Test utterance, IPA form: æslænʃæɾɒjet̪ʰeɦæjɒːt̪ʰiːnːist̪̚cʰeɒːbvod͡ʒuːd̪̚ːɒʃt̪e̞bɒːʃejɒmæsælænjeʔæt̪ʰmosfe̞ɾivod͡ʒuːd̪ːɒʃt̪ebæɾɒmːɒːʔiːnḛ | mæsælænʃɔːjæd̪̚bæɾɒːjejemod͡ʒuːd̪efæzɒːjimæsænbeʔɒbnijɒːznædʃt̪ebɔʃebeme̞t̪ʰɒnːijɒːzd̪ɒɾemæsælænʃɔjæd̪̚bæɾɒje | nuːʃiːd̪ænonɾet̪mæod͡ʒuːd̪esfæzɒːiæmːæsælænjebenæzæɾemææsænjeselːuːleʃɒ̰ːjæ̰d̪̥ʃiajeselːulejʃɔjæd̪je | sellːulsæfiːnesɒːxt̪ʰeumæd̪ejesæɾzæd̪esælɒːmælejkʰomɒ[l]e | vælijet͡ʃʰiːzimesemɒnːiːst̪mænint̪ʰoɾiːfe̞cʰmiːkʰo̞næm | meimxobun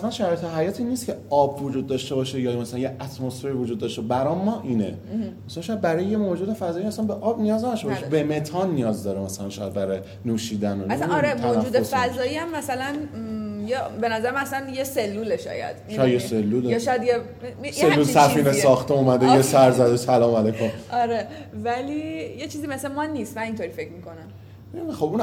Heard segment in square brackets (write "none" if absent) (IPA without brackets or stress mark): ɾ